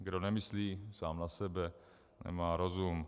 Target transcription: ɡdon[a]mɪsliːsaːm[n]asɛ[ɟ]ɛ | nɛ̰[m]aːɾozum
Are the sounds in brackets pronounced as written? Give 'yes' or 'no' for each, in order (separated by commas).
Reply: no, yes, no, yes